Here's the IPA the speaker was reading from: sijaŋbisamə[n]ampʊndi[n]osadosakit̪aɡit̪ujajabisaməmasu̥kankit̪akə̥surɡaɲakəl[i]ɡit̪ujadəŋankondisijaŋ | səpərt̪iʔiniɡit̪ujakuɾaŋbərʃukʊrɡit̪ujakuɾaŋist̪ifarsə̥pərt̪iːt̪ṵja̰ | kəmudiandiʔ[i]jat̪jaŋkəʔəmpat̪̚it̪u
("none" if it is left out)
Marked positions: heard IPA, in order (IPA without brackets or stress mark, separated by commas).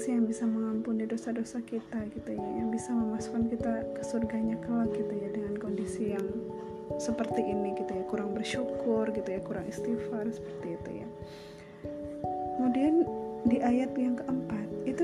ŋ, d, a, a